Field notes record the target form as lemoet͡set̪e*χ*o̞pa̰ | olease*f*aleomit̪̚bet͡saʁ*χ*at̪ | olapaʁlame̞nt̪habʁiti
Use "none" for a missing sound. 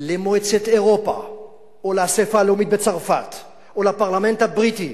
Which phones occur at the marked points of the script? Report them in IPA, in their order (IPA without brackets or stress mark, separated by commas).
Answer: ʁ, f, f